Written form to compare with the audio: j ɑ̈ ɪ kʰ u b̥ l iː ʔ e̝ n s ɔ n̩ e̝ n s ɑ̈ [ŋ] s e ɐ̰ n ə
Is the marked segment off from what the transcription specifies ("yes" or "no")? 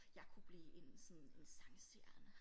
no